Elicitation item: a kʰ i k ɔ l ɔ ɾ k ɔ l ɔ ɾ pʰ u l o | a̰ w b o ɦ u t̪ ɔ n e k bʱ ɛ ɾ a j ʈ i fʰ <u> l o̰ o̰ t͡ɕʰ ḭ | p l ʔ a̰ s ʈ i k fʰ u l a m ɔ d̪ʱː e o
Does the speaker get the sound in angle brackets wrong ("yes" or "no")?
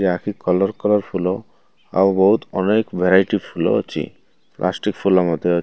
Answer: no